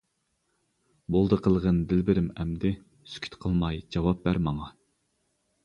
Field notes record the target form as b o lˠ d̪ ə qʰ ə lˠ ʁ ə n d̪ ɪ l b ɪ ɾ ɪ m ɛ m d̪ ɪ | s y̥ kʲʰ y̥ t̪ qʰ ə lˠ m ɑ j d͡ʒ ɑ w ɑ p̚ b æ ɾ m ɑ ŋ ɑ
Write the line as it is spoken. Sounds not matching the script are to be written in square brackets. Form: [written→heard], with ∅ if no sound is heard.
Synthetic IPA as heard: b o lˠ d̪ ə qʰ ə lˠ ʁ ə n d̪ ɪ l b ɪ ɾ ɪ m ɛ m d̪ ɪ | s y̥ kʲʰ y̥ t̪ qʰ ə lˠ m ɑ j d͡ʒ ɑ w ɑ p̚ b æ ɾ m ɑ ŋ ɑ